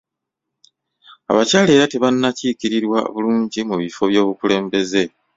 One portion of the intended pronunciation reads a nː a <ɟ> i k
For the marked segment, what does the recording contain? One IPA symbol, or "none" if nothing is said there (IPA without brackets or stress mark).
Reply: c